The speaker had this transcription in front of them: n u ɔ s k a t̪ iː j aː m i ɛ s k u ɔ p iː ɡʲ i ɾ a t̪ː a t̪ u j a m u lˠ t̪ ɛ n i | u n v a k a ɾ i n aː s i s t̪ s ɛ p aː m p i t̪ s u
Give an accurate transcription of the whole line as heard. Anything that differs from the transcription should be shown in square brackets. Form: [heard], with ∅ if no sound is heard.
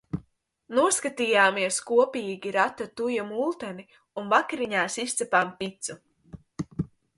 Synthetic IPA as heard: n u ɔ s k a t̪ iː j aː m i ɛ s k u ɔ p iː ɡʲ i ɾ a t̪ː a t̪ u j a m u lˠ t̪ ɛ n i | u n v a k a ɾ i [ɲ] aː s i s t̪ s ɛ p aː m p i t̪ s u